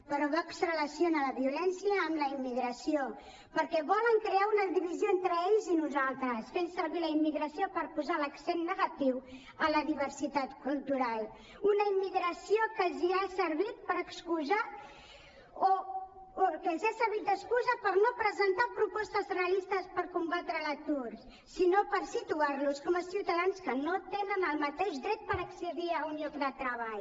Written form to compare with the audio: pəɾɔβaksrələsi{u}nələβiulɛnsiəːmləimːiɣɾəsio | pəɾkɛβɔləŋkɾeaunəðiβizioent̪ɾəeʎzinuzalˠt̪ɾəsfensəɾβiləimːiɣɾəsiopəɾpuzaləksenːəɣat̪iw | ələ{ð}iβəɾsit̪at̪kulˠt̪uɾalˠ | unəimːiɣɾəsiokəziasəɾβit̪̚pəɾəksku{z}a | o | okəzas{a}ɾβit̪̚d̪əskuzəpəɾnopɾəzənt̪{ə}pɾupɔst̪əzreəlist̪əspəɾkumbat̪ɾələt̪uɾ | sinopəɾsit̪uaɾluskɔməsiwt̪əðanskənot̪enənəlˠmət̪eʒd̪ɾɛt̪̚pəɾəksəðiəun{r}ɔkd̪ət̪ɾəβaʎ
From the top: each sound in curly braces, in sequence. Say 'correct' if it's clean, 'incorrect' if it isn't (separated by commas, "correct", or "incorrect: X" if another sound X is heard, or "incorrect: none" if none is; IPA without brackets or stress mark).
incorrect: o, correct, correct, incorrect: ə, incorrect: a, incorrect: ʎ